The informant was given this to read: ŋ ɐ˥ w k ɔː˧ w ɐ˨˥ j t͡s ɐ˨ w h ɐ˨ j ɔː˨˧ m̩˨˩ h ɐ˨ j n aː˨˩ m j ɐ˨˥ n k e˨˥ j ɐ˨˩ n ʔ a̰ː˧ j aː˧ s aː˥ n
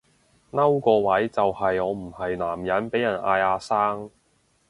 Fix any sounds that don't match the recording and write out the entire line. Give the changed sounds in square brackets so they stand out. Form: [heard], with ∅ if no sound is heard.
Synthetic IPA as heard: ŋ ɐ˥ w k ɔː˧ w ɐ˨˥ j t͡s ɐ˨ w h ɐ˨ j ɔː˨˧ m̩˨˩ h ɐ˨ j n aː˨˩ m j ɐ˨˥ n [p] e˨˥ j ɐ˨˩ n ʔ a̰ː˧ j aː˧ s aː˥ [ŋ]

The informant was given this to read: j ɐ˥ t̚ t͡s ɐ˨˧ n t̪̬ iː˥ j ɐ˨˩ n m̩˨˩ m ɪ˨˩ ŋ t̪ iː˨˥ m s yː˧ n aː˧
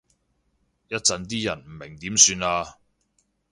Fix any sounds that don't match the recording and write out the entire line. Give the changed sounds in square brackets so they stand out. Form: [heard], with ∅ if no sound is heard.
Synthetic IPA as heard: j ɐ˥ t̚ t͡s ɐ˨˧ n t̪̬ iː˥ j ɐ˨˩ n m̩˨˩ m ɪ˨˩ ŋ t̪ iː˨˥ m s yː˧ n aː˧

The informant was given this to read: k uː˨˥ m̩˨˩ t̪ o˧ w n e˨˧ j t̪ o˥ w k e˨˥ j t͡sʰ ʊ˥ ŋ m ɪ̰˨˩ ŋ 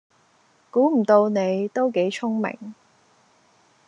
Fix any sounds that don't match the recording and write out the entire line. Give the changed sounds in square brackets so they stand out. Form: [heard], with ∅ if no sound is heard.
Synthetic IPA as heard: k uː˨˥ m̩˨˩ t̪ o˧ w n e˨˧ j t̪ o˥ w k e˨˥ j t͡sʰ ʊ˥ ŋ m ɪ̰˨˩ ŋ

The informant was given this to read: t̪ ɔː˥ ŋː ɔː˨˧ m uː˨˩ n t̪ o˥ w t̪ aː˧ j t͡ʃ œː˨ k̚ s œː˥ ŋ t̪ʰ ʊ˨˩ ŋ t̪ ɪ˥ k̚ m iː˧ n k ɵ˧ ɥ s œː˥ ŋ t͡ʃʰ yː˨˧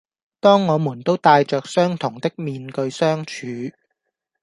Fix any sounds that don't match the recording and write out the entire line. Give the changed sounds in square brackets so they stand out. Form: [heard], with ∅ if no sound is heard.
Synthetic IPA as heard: t̪ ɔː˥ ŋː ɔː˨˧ m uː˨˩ n t̪ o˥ w t̪ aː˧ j t͡ʃ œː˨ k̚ s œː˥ ŋ t̪ʰ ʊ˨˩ ŋ t̪ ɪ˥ k̚ m iː˧ n k ɵ˧ ɥ s œː˥ ŋ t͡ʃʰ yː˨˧

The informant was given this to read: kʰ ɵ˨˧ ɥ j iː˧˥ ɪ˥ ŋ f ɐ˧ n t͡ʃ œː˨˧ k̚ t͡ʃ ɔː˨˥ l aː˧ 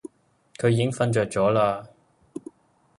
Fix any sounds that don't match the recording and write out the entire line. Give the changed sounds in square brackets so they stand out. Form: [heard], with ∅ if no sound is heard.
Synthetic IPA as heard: kʰ ɵ˨˧ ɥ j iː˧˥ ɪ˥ ŋ f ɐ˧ n t͡ʃ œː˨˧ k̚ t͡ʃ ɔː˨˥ l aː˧

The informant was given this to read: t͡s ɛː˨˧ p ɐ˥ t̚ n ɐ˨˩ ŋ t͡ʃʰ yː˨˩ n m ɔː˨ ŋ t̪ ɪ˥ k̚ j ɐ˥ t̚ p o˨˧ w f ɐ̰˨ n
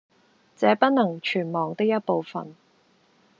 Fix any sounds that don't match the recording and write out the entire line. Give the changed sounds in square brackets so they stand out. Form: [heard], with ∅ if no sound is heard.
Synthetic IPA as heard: t͡s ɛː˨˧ p ɐ˥ t̚ n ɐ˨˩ ŋ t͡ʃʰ yː˨˩ n m ɔː˨ ŋ t̪ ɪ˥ k̚ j ɐ˥ t̚ p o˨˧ w f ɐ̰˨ n

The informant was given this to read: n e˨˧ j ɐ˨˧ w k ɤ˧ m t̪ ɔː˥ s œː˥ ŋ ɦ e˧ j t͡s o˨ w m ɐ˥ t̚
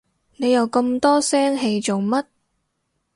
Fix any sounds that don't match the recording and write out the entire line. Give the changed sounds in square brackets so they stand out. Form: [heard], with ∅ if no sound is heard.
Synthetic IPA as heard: n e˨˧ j ɐ˨˧ w k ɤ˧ m t̪ ɔː˥ s [ɛː˥] ŋ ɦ e˧ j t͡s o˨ w m ɐ˥ t̚

